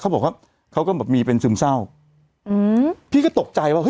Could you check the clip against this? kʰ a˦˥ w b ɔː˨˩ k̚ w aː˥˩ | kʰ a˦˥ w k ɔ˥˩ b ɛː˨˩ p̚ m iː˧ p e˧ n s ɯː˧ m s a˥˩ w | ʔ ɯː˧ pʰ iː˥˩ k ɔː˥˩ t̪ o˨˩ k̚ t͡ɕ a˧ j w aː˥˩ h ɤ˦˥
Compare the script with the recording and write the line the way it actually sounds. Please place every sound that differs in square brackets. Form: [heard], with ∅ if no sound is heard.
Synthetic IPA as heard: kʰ a˦˥ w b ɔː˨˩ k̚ w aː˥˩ | kʰ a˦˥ w k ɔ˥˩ b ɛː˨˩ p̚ m iː˧ p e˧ n s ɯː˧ m s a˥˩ w | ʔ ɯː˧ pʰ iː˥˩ k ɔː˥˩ t̪ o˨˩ k̚ t͡ɕ a˧ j w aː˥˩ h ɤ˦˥